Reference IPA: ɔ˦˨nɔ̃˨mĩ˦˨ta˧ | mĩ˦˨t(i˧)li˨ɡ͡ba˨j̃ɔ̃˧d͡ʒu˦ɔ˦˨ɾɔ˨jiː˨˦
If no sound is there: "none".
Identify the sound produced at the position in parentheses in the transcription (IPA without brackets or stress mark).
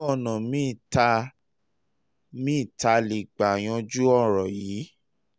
a˧